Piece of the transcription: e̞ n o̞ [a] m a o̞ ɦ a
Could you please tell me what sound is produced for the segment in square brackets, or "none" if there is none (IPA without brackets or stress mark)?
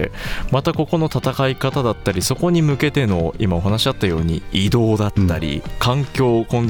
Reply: i